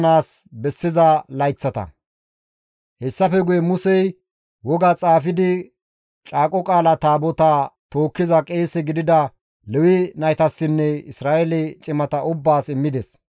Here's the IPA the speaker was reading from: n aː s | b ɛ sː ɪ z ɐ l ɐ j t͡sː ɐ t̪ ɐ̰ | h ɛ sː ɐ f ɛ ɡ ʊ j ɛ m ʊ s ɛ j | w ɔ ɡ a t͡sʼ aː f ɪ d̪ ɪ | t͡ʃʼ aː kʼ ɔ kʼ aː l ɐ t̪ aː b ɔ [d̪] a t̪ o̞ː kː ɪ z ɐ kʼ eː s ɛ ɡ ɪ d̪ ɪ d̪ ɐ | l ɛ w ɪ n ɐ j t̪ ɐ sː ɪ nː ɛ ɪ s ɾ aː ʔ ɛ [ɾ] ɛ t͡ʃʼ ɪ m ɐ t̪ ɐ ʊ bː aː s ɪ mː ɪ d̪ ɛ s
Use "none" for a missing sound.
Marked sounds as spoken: t̪, l

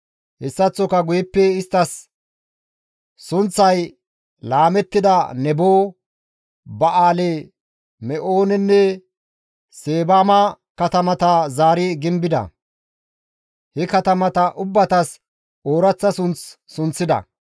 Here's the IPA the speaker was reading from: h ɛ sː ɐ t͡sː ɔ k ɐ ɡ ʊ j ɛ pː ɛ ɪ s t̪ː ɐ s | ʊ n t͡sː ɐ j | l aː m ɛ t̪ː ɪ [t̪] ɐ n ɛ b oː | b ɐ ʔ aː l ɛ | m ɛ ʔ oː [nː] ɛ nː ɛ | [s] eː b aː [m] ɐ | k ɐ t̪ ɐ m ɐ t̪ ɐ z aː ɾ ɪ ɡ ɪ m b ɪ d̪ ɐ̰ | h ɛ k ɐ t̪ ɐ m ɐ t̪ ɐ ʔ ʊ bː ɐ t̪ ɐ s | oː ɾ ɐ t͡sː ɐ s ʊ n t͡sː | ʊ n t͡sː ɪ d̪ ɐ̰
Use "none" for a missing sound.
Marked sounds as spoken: d̪, n, s, m

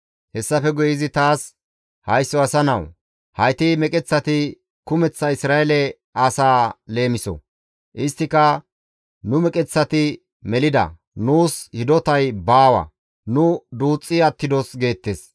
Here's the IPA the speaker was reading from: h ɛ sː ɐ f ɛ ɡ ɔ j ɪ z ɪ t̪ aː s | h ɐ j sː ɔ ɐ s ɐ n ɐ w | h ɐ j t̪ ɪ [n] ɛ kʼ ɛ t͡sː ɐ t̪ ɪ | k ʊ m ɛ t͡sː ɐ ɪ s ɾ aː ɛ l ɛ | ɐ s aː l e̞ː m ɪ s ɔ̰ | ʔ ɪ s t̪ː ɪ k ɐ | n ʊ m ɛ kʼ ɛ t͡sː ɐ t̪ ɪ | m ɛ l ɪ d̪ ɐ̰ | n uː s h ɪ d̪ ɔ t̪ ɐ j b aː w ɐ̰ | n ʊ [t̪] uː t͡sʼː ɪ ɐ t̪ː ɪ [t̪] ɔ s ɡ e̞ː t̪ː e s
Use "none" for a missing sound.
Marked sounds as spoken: m, d̪, d̪

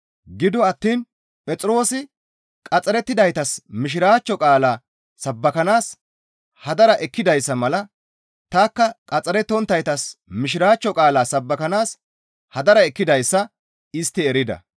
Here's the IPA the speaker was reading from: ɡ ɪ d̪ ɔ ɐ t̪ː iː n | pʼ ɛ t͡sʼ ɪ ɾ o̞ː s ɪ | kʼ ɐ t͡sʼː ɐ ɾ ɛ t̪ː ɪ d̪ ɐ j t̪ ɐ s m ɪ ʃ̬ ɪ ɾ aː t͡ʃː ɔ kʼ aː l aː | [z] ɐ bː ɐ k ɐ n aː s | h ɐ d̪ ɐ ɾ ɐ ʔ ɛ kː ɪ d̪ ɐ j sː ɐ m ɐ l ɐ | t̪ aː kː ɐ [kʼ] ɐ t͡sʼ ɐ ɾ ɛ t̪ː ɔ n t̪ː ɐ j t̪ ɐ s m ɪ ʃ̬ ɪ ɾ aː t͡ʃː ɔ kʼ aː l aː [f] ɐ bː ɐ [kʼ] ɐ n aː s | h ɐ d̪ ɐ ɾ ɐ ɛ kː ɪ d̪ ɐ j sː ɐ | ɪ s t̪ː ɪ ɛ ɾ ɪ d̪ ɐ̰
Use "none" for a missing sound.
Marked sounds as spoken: s, kʼ, s, k

